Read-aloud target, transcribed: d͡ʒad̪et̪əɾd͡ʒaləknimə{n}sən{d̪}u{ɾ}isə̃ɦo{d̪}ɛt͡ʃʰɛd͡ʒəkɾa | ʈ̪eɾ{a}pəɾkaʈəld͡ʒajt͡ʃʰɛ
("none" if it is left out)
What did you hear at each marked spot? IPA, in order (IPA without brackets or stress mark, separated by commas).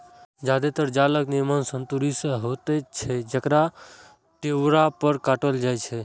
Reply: n, t̪, ɾ, t̪, a